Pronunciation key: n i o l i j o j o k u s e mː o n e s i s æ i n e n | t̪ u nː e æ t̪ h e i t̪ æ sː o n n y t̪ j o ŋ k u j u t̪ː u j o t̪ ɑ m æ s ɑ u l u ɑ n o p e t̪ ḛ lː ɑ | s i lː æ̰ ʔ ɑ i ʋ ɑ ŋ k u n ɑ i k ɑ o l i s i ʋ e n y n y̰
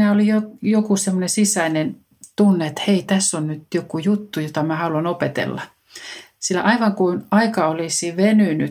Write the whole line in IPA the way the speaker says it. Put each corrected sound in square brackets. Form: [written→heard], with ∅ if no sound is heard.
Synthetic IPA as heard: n [i→æ] o l i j o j o k u s e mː o n e s i s æ i n e n | t̪ u nː e [æ→e] t̪ h e i t̪ æ sː o n n y t̪ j o [ŋ→∅] k u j u t̪ː u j o t̪ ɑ m æ [s→h] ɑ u l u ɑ n o p e t̪ ḛ lː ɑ | s i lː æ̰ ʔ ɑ i ʋ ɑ ŋ k u n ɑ i k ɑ o l i s i ʋ e n y n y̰